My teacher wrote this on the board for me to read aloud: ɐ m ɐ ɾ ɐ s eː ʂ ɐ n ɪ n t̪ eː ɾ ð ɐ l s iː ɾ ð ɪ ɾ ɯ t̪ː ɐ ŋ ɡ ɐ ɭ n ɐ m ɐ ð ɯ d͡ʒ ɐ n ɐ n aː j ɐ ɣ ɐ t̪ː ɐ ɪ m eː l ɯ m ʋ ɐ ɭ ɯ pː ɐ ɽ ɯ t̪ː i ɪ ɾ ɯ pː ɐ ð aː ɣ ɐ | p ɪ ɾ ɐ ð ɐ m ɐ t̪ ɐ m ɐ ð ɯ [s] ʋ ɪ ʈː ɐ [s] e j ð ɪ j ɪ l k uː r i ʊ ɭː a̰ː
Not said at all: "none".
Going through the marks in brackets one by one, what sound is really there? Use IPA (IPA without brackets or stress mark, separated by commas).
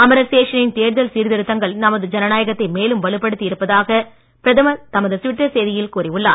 s, s